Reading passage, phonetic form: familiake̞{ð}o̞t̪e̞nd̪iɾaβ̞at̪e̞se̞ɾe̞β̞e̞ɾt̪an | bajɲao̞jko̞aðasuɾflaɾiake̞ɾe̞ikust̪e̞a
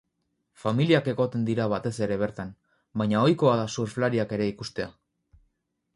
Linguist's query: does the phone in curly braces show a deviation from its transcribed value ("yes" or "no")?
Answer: yes